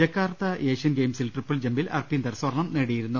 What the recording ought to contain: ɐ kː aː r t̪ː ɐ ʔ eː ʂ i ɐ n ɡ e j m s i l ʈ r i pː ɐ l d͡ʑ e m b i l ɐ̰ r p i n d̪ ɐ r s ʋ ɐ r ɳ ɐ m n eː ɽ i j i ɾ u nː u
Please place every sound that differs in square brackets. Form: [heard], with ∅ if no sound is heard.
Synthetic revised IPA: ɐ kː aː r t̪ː ɐ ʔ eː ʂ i ɐ n ɡ e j m s i l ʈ r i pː ɐ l d͡ʑ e m b i l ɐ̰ r p i n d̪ ɐ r s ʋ ɐ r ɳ ɐ m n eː ɽ i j i ɾ u nː u